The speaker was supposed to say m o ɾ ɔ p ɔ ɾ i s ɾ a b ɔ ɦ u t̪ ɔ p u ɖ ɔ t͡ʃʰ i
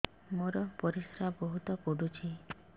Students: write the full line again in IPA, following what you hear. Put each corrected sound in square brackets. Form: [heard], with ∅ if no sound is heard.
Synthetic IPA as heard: m o ɾ ɔ p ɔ ɾ i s ɾ a b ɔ ɦ u t̪ ɔ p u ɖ [u] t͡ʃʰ i

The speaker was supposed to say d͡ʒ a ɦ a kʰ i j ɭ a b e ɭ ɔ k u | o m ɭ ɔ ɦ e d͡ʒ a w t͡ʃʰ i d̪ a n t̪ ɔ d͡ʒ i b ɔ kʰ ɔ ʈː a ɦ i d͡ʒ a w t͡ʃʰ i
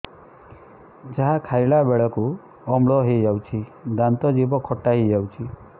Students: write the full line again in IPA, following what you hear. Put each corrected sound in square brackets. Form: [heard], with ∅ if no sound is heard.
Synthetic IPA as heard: d͡ʒ a ɦ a kʰ [a] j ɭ a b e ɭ ɔ k u | [ɔ] m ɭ ɔ ɦ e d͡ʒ a w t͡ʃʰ i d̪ a n t̪ ɔ d͡ʒ i b ɔ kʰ ɔ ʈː a ɦ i d͡ʒ a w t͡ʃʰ i

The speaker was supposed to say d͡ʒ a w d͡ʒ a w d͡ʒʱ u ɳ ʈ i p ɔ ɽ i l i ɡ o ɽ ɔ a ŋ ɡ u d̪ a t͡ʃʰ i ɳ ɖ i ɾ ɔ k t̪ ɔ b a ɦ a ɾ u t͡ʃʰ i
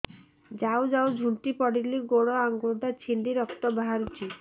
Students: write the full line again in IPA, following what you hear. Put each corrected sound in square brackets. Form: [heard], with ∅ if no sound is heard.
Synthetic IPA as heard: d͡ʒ a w d͡ʒ a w d͡ʒʱ u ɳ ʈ i p ɔ ɽ i l i ɡ o ɽ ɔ a ŋ ɡ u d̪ a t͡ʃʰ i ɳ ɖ i ɾ ɔ k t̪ ɔ b a ɦ a ɾ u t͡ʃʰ i

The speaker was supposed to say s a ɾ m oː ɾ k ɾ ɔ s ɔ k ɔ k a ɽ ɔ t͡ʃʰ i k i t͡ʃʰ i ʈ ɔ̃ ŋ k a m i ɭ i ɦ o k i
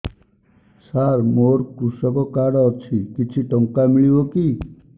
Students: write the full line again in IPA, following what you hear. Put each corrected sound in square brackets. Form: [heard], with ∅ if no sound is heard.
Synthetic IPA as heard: s a ɾ m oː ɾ k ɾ [u] s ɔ k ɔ k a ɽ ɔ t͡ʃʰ i k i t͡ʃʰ i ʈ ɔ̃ ŋ k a m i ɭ i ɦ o k i

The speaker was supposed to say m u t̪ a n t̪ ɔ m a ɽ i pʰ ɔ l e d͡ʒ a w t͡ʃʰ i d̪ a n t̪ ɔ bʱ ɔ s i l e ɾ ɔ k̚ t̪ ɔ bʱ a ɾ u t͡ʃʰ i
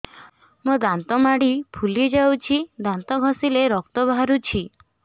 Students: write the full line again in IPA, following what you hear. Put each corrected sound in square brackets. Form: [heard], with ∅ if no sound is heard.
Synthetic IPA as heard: m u [d̪] a n t̪ ɔ m a ɽ i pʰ [u] l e d͡ʒ a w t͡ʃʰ i d̪ a n t̪ ɔ [ɡʱ] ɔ s i l e ɾ ɔ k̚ t̪ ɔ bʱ a ɾ u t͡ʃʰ i

